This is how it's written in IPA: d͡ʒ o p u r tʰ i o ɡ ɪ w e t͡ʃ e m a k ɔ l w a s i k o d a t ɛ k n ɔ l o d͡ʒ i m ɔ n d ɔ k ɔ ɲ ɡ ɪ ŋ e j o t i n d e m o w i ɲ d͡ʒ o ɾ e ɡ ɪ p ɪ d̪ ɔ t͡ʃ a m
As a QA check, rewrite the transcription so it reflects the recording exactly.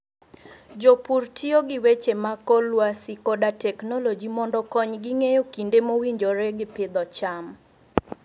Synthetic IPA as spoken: d͡ʒ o p u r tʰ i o ɡ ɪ w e t͡ʃ e m a k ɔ l w a s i k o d a t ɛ k n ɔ l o d͡ʒ i m ɔ n d ɔ k ɔ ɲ ɡ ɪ ŋ e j o k i n d e m o w i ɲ d͡ʒ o ɾ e ɡ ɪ p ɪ d̪ ɔ t͡ʃ a m